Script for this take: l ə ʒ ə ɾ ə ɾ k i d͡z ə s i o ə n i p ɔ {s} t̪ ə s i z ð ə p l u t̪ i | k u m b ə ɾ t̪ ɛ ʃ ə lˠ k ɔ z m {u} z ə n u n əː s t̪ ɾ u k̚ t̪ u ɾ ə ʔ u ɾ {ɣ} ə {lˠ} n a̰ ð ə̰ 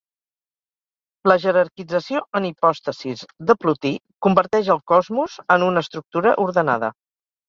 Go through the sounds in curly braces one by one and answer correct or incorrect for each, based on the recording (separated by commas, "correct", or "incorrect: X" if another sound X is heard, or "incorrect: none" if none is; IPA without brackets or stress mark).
correct, correct, incorrect: ð, incorrect: none